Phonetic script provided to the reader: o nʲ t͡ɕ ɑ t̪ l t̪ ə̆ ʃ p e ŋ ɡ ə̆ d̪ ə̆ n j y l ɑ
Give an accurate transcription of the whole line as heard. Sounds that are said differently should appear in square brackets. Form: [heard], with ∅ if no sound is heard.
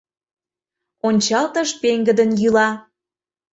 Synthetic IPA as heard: o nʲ t͡ɕ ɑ [∅] l t̪ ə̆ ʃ p e ŋ ɡ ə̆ d̪ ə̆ n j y l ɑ